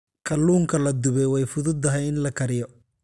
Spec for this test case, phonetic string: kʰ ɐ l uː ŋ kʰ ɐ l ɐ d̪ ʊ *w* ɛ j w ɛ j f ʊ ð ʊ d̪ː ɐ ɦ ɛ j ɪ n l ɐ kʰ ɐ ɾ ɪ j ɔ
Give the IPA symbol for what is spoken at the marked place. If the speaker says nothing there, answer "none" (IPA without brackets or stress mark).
β